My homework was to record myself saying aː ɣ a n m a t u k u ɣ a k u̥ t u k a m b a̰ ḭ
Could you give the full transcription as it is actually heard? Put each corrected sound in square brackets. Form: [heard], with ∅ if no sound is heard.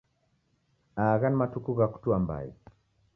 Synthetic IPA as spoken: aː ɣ a n m a t u k u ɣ a k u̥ t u [∅] a m b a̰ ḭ